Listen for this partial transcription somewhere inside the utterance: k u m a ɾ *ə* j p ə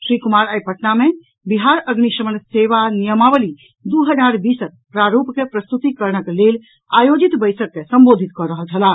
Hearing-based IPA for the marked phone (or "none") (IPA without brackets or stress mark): a